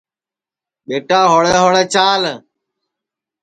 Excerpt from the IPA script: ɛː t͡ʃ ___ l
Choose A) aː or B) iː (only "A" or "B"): A